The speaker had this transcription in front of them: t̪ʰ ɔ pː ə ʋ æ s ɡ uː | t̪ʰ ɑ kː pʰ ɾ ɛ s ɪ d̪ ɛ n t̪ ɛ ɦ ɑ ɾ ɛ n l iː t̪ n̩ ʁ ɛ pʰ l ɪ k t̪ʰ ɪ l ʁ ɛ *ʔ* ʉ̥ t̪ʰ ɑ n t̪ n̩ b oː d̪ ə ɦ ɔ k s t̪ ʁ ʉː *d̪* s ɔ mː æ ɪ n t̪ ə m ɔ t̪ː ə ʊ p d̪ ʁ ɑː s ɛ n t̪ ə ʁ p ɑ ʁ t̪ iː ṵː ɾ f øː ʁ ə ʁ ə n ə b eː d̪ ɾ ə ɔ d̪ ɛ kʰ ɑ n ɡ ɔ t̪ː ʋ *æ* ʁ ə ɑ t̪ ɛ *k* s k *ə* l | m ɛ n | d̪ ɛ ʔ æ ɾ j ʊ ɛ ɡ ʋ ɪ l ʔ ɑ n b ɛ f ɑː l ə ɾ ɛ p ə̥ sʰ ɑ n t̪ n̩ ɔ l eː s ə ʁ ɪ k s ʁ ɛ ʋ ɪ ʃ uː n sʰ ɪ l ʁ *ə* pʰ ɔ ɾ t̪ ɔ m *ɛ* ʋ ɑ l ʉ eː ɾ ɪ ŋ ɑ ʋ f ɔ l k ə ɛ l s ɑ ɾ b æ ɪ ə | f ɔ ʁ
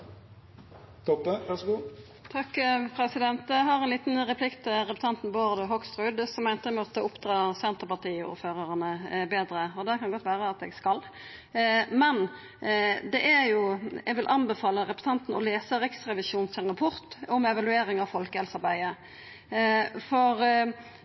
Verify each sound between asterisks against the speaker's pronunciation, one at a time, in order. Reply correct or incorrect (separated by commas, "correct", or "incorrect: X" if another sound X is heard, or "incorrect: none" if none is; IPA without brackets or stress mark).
incorrect: p, correct, incorrect: æː, incorrect: ɡ, incorrect: ɑ, incorrect: ɑ, correct